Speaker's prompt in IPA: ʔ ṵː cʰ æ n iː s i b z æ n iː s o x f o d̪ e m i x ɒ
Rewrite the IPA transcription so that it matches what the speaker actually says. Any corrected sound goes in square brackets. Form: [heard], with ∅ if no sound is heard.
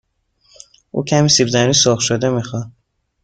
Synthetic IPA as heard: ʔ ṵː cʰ æ [m] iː s i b z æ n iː s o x [ʃ] o d̪ e m i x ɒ